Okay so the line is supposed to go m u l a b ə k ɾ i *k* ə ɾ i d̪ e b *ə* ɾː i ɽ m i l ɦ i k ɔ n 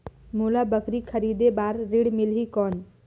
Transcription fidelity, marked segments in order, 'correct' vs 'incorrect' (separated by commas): incorrect, incorrect